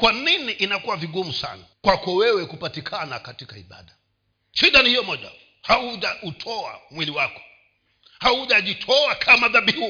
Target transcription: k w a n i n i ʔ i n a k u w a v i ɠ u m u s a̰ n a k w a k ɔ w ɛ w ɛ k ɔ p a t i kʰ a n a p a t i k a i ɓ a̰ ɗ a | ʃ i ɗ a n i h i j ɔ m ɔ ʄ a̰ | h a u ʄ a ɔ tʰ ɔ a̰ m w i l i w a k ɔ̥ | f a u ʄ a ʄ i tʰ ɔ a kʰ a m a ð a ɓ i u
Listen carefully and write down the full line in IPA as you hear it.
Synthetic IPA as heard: k w a n i n i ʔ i n a k u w a v i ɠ u m u s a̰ n a k w a k ɔ w ɛ w ɛ k u p a t i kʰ a n a k a t i k a i ɓ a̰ ɗ a | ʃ i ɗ a n i h i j ɔ m ɔ ʄ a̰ | h a u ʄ a u tʰ ɔ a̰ m w i l i w a k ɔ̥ | h a u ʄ a ʄ i tʰ ɔ a kʰ a m a ð a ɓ i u